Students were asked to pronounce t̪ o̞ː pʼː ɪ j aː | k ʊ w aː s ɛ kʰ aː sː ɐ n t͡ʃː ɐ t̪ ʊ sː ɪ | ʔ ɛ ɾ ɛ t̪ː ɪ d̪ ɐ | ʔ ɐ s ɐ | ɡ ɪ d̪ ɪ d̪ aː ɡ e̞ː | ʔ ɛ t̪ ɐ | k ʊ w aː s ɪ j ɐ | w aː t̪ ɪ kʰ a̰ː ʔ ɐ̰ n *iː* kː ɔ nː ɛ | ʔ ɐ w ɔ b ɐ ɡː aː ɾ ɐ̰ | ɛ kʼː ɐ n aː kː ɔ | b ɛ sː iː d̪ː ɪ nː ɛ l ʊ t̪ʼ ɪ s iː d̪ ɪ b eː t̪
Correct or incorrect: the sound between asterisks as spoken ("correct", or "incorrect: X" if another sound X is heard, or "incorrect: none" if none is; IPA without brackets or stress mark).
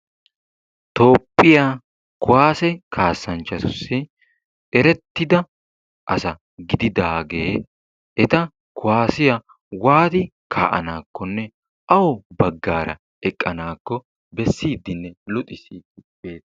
incorrect: aː